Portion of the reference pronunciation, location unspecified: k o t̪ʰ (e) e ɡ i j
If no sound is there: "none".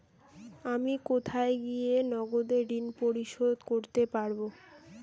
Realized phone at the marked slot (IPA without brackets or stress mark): a